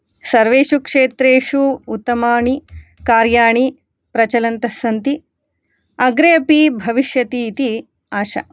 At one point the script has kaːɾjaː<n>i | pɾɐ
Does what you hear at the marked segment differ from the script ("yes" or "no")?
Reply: yes